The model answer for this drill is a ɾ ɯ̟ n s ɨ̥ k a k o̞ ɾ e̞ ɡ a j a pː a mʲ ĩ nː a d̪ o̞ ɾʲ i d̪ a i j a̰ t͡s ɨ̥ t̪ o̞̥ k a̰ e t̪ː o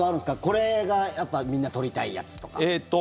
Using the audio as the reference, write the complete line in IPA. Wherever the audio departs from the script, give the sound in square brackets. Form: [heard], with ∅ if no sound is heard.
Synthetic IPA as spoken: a ɾ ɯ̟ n s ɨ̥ k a k o̞ ɾ e̞ ɡ a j a pː a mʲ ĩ nː a [t̪] o̞ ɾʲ i [t̪] a i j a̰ t͡s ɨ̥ t̪ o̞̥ k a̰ e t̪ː o